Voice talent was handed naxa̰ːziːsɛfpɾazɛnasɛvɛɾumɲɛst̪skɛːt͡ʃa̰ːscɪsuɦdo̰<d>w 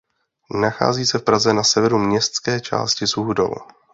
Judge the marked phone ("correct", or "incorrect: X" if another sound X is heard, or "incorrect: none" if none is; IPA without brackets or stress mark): incorrect: none